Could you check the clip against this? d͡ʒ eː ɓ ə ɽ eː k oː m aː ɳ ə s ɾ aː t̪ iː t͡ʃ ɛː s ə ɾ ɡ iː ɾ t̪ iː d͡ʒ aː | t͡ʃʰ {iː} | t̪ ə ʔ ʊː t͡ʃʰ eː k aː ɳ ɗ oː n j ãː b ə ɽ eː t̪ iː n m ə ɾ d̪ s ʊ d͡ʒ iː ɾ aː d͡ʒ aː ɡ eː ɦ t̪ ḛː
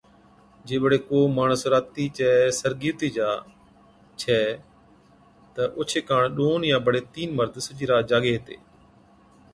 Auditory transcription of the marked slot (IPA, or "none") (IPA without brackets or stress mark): ɛː